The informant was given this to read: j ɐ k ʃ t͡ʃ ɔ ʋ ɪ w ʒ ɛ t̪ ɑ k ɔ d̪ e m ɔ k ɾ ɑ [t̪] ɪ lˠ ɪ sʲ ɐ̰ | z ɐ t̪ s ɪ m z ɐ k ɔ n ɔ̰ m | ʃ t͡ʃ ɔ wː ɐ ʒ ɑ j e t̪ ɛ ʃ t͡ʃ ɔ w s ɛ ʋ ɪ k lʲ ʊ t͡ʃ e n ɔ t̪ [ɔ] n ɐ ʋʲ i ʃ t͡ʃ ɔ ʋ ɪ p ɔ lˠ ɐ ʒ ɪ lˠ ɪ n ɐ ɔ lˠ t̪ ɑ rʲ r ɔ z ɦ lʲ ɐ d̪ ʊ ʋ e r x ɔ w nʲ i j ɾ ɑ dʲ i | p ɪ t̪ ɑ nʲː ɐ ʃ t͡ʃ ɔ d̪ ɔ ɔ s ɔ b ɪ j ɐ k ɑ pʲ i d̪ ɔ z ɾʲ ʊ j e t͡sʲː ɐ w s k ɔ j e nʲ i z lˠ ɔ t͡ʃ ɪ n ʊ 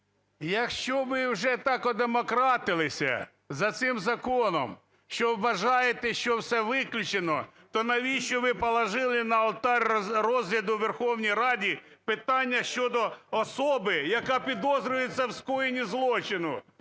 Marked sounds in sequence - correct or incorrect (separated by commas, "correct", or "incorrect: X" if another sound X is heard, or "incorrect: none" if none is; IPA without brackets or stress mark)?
correct, correct